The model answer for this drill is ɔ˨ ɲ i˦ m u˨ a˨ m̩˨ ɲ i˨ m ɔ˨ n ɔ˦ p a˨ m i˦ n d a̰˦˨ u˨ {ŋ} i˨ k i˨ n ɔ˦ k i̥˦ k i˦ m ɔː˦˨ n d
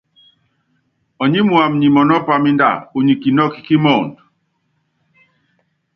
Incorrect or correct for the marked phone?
incorrect: ɲ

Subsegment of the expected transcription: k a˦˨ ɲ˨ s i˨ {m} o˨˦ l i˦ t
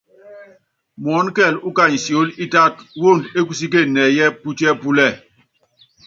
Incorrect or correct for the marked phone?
incorrect: none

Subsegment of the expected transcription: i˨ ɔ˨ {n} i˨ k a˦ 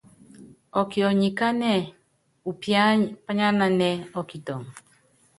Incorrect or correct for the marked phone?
incorrect: ɲ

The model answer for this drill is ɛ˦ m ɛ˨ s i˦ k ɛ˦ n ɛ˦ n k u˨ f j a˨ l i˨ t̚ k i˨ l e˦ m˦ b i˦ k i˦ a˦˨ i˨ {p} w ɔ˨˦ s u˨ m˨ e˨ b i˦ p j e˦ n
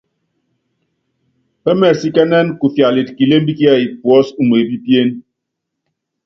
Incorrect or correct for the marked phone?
correct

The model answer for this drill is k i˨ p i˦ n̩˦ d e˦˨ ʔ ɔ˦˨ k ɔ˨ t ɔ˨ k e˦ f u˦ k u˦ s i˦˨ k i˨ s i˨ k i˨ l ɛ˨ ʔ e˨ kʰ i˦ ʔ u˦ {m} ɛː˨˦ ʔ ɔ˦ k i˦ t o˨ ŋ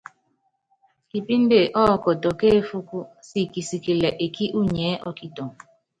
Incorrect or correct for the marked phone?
incorrect: ɲ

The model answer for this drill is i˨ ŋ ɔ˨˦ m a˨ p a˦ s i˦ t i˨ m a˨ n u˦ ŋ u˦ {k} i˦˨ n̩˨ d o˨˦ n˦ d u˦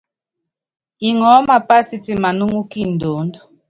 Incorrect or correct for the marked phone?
correct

